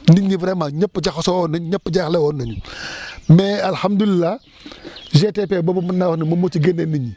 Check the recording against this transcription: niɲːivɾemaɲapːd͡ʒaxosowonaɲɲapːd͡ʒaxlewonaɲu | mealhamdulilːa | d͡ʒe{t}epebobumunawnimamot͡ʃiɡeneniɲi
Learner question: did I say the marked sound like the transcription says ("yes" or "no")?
yes